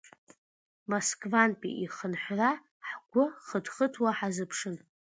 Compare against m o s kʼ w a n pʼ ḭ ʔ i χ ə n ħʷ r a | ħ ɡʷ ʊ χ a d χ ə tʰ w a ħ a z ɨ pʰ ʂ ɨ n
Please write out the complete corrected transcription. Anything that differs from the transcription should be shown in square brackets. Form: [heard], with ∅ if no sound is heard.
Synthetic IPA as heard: m o s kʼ [v] a n pʼ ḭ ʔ i χ ə n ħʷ r a | ħ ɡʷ ʊ χ [ə] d χ ə tʰ w a ħ a z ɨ pʰ ʂ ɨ n